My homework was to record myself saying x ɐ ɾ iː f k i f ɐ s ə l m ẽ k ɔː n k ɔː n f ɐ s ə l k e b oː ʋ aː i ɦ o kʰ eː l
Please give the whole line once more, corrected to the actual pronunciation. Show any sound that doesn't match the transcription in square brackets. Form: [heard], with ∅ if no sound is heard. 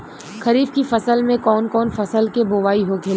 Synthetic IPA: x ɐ ɾ iː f k i f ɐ s ə l m ẽ k ɔː n k ɔː n f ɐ s ə l k e b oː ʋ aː i ɦ o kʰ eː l

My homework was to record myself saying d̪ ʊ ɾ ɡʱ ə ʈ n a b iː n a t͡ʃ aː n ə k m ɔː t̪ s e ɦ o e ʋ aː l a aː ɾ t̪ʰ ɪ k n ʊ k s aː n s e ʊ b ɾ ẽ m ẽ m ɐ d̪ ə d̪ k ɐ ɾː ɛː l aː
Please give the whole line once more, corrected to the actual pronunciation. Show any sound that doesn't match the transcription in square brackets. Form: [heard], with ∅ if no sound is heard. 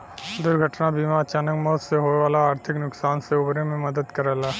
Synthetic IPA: d̪ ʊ ɾ ɡʱ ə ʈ n a b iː [m] a t͡ʃ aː n ə k m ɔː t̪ s e ɦ o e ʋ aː l a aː ɾ t̪ʰ ɪ k n ʊ k s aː n s e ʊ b ɾ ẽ m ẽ m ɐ d̪ ə d̪ k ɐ [ɾ] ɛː l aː

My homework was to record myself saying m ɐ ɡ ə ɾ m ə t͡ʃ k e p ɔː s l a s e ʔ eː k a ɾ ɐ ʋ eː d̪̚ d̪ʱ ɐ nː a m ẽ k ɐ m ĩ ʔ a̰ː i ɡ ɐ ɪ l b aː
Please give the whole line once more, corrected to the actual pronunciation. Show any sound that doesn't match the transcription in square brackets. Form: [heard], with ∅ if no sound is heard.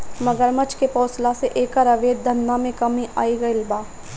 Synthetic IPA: m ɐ ɡ ə ɾ m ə t͡ʃ k e p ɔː s l a s e ʔ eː k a ɾ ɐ ʋ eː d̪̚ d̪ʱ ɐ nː a m ẽ k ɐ m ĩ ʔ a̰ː i ɡ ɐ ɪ l b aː

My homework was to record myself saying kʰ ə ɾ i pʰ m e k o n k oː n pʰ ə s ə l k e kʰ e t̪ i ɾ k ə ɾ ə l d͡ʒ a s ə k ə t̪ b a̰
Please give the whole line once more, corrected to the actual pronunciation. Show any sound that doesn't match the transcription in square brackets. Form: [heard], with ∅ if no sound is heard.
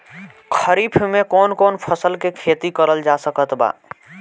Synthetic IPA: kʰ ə ɾ i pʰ m e k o n k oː n pʰ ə s ə l k e kʰ e t̪ i [∅] k ə ɾ ə l d͡ʒ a s ə k ə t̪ b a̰

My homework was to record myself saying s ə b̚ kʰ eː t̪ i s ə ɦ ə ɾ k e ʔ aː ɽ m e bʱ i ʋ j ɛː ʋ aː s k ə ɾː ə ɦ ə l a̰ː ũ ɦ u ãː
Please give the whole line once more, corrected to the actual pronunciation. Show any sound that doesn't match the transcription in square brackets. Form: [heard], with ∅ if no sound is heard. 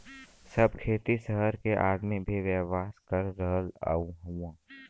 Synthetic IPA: s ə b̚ kʰ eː t̪ i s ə ɦ ə ɾ k e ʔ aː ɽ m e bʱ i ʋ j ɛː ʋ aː s k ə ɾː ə ɦ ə l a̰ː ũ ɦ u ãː

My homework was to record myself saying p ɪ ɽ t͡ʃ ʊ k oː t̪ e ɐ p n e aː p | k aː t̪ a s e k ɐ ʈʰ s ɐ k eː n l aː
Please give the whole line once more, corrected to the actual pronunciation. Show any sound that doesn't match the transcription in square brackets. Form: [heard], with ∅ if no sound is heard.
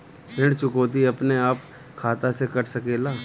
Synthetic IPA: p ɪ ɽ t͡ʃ ʊ k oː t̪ [i] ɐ p n e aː p | [kʰ] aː t̪ a s e k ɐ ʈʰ s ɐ k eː [∅] l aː

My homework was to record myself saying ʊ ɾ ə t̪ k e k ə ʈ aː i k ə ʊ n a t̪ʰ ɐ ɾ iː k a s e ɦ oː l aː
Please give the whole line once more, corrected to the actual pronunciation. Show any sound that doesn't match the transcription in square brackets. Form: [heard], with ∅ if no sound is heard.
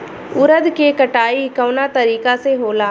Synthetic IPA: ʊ ɾ ə [d̪] k e k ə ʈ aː i k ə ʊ n a [t̪] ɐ ɾ iː k a s e ɦ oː l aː

